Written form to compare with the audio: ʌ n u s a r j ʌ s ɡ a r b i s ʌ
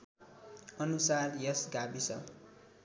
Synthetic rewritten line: ʌ n u s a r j ʌ s ɡ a b i s ʌ